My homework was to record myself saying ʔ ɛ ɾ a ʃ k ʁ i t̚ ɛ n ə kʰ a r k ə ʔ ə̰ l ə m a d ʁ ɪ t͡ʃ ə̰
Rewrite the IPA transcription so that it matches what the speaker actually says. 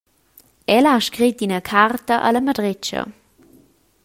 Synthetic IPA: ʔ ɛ l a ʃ k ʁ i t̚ i n ə kʰ a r t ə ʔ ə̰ l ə m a d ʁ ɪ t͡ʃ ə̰